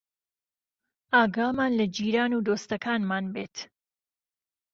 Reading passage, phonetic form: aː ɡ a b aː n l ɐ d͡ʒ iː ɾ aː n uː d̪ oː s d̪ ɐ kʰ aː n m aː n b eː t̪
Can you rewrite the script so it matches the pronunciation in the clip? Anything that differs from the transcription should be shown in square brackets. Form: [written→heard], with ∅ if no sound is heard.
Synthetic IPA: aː ɡ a [b→m] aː n l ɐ d͡ʒ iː ɾ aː n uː d̪ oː s [d̪→t̪] ɐ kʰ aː n m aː n b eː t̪